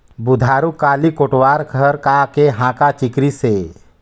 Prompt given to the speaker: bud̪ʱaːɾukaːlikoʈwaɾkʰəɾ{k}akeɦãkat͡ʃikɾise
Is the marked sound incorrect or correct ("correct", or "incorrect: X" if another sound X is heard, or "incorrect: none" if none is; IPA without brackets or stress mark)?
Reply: correct